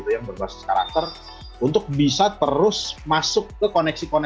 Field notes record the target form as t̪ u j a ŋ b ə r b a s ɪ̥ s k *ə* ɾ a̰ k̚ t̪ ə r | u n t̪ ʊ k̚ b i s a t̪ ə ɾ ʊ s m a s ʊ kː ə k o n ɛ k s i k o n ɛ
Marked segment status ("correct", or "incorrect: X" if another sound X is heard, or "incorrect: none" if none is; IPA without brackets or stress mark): incorrect: a